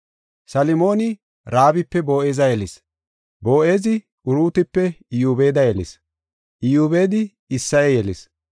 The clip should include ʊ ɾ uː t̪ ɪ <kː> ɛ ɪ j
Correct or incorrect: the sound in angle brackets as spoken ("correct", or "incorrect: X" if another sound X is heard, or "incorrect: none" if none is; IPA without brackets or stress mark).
incorrect: pː